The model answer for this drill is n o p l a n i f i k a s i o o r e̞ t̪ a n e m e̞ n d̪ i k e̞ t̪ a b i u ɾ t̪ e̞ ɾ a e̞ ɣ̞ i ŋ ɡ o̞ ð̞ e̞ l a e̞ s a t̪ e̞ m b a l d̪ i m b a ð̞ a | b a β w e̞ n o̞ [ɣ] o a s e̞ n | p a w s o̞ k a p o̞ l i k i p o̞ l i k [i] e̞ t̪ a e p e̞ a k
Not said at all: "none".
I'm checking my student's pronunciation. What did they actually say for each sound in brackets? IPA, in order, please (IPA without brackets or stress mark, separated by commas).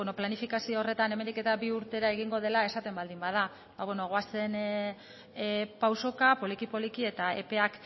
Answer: ɣ, i